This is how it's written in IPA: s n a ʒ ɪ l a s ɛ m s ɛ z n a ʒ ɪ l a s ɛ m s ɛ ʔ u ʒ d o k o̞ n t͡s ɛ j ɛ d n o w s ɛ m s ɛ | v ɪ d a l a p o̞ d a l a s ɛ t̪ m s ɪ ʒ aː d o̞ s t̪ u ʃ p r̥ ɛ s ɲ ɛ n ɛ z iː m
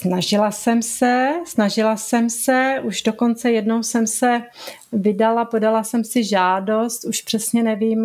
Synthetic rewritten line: s n a ʒ ɪ l a s ɛ m s ɛ s n a ʒ ɪ l a s ɛ m s ɛ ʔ u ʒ d o k o̞ n t͡s ɛ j ɛ d n o w s ɛ m s ɛ | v ɪ d a l a p o̞ d a l a s ɛ m s ɪ ʒ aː d o̞ s t̪ u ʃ p r̥ ɛ s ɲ ɛ n ɛ v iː m